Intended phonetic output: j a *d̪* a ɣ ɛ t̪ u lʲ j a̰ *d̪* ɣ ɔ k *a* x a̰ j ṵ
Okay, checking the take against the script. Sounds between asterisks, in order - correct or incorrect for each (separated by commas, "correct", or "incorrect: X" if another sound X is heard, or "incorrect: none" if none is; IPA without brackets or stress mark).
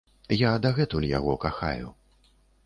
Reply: correct, incorrect: none, correct